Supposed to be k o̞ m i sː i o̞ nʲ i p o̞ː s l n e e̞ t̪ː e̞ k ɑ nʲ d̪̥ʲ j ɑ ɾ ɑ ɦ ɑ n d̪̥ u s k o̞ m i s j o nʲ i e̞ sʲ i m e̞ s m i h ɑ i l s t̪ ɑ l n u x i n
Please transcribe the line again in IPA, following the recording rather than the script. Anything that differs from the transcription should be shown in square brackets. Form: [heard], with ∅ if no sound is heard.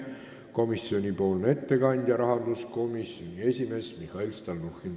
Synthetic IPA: k o̞ m i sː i o̞ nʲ i p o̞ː [∅] l n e e̞ t̪ː e̞ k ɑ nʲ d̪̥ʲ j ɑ ɾ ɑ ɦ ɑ n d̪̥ u s k o̞ m i s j o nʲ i e̞ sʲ i m e̞ s m i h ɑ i l s t̪ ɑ l n u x i n